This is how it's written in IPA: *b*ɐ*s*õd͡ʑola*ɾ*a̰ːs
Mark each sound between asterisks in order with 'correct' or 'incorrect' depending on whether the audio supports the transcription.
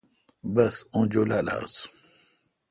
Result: correct, correct, incorrect: l

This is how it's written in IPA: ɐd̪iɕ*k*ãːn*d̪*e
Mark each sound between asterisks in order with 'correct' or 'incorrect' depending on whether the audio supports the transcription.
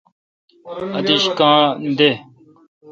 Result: correct, correct

